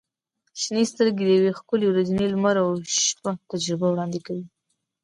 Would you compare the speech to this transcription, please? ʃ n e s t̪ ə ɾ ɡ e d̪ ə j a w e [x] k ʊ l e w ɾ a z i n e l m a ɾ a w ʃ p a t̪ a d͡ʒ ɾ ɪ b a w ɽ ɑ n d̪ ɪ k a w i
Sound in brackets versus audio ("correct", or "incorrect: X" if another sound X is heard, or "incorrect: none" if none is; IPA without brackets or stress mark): correct